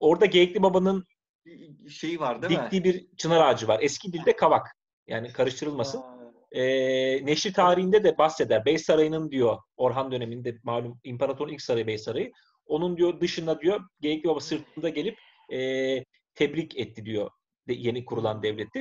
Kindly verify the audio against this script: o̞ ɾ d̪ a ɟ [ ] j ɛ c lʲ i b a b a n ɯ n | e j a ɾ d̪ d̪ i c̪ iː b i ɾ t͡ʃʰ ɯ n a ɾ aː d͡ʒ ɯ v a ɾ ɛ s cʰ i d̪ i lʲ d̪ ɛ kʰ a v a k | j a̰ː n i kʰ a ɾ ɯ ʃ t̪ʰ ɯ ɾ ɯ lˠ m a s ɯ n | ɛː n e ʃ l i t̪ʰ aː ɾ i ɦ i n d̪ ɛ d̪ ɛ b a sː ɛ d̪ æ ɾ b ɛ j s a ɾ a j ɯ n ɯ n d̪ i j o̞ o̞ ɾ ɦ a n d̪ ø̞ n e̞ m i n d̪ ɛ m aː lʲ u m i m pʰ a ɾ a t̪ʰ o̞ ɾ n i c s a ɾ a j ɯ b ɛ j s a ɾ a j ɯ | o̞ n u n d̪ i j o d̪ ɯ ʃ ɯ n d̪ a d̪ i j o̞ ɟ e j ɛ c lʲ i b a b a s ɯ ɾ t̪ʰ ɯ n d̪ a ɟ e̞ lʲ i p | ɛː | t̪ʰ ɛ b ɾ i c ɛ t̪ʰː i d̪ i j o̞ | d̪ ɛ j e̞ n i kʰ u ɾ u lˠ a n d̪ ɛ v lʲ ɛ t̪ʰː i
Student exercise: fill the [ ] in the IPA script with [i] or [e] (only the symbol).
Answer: e